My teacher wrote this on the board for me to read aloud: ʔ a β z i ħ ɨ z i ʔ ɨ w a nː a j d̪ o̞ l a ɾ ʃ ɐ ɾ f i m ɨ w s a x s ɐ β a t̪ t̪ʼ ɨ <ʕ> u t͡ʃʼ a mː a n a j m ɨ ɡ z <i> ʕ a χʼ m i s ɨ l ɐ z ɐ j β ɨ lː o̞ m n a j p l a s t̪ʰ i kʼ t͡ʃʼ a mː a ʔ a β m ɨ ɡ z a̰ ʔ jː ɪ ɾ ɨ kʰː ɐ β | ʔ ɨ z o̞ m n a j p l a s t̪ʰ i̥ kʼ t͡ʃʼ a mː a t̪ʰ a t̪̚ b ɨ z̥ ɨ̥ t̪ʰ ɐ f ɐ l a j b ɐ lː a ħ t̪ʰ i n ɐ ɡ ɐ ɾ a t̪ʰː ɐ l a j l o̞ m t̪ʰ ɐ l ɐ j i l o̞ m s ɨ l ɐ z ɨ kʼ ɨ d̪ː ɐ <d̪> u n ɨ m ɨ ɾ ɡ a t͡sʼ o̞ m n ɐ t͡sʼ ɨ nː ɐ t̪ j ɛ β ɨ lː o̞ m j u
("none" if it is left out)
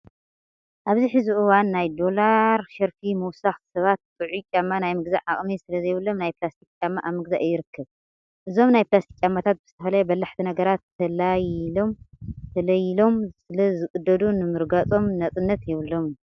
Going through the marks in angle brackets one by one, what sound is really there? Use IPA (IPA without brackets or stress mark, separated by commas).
ʕ, a, d̪